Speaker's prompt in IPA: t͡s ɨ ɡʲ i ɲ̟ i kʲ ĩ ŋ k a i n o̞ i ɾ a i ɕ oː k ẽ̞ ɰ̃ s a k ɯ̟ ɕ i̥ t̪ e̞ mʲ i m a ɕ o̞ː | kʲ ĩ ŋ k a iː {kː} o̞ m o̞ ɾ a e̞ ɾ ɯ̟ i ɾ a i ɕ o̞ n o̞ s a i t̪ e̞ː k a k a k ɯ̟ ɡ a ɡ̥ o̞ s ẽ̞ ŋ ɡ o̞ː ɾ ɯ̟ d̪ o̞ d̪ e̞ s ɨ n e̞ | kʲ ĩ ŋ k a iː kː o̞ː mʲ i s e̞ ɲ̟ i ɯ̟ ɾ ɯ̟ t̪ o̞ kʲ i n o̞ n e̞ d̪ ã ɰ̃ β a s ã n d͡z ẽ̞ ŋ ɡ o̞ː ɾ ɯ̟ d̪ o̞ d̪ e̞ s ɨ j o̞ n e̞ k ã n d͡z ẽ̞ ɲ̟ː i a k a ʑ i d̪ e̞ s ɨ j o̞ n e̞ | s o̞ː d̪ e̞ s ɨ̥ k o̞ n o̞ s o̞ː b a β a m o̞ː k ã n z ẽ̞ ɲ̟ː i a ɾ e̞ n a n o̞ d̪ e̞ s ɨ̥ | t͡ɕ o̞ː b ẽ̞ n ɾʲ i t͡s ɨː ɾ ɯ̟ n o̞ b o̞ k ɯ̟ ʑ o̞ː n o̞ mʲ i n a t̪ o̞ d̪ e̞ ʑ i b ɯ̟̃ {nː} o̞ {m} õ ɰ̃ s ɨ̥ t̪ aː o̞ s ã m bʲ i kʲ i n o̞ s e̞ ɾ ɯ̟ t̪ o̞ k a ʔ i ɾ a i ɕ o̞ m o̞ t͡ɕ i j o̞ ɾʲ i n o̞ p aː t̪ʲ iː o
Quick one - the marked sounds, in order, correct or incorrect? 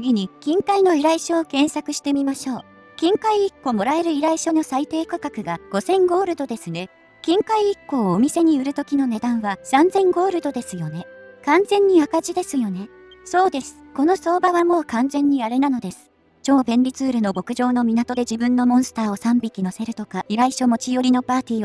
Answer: correct, correct, correct

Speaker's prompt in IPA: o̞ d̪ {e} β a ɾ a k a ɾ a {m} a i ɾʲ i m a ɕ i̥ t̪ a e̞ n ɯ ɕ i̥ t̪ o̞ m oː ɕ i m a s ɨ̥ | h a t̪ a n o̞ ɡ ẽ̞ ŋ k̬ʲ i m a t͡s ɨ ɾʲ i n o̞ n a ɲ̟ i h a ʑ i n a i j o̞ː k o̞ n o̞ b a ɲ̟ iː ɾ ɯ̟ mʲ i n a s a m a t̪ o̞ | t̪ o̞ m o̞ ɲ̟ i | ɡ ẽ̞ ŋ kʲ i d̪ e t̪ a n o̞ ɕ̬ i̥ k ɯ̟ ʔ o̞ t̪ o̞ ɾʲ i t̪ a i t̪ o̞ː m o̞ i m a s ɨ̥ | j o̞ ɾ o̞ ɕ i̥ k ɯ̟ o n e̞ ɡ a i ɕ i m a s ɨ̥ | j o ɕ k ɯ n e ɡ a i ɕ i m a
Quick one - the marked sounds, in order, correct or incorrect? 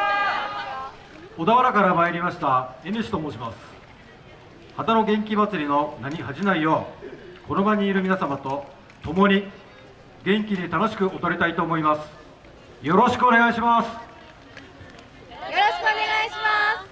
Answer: incorrect: a, correct

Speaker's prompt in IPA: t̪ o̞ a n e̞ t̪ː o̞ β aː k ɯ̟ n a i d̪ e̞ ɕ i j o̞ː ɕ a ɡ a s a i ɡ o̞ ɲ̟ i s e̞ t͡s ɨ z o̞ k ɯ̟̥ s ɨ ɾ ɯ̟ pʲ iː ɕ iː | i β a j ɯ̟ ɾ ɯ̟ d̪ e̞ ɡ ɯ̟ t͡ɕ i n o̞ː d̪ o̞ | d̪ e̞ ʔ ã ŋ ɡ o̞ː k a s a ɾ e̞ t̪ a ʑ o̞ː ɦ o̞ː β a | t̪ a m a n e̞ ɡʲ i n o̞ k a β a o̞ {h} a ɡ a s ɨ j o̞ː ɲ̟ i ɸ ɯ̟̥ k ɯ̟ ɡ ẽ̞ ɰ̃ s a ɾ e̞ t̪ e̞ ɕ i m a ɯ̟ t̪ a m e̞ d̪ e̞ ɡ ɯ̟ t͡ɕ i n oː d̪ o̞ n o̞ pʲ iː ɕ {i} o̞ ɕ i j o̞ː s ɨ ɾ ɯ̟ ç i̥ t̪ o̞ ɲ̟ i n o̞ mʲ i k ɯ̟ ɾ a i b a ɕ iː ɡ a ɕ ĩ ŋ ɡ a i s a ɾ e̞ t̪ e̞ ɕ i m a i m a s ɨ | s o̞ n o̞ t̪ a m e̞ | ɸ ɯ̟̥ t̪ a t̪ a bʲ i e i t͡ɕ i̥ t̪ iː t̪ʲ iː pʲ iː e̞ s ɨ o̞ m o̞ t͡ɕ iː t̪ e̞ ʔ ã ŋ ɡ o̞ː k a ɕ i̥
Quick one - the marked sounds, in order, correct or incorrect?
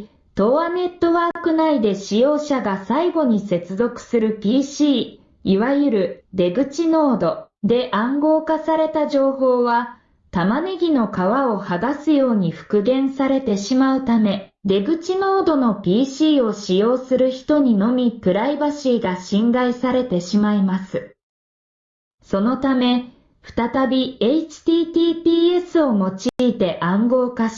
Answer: correct, incorrect: iː

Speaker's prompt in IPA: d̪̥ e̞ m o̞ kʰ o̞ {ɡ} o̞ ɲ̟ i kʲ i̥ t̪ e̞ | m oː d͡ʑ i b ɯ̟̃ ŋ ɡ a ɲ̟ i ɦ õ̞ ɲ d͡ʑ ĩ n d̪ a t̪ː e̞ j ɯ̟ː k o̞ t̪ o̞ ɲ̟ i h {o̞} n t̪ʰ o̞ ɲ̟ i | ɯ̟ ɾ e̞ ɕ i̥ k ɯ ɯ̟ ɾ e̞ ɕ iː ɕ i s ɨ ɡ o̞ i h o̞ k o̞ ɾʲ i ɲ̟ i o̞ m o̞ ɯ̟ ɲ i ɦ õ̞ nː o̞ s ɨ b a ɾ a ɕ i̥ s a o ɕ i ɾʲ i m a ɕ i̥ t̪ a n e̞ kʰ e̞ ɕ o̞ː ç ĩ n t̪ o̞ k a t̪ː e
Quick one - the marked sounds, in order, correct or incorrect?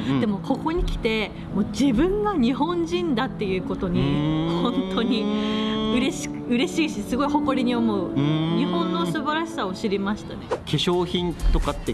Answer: incorrect: k, incorrect: õ̞

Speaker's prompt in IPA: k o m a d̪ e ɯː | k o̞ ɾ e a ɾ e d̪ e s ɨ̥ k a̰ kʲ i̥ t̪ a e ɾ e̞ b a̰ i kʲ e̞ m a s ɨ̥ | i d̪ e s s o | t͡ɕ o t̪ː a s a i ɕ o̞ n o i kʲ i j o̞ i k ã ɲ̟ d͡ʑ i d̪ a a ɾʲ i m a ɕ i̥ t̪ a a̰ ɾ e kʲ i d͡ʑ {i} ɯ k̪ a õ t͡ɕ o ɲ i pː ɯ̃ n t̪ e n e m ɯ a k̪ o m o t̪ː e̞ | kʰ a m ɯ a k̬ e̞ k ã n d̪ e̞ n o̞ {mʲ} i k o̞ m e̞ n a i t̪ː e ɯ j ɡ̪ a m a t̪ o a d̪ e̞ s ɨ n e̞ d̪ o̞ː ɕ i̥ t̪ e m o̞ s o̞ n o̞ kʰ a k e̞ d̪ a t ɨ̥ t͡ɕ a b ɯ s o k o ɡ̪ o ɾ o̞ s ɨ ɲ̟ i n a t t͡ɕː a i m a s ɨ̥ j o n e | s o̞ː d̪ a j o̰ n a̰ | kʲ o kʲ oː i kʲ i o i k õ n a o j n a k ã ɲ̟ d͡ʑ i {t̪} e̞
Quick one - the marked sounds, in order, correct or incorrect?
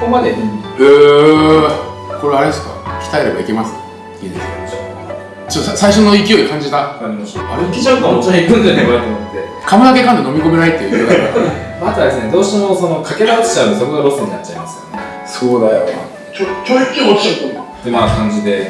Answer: incorrect: a, correct, incorrect: d̪

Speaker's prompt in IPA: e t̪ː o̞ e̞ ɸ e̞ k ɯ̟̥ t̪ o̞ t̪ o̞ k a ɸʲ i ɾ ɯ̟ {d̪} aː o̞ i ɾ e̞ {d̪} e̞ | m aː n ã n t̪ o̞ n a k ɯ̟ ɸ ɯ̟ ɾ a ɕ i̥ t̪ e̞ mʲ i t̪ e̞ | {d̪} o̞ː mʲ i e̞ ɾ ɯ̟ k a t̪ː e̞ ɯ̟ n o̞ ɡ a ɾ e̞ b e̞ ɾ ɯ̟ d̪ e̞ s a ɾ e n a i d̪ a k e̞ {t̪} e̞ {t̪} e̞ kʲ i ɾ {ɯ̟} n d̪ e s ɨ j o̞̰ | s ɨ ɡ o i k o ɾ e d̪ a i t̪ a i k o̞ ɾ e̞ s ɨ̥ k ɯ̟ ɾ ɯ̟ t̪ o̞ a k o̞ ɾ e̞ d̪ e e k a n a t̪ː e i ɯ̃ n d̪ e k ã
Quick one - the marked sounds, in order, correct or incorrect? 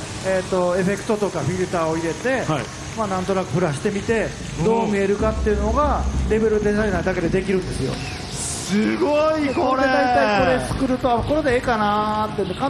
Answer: incorrect: t̪, incorrect: t̪, correct, incorrect: d̪, incorrect: d̪, incorrect: ɯ̟̃

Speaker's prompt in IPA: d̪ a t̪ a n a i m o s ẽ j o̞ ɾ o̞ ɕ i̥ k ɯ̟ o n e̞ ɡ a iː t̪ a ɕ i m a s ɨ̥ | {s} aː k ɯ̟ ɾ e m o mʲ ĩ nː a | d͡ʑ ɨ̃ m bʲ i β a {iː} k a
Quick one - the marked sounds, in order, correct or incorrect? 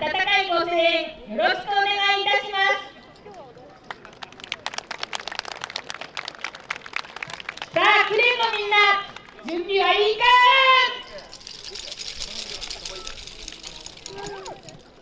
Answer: correct, correct

